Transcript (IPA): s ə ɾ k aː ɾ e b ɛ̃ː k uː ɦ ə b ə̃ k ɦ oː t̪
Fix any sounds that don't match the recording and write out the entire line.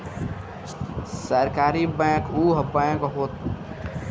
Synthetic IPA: s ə ɾ k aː ɾ i b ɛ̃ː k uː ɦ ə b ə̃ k ɦ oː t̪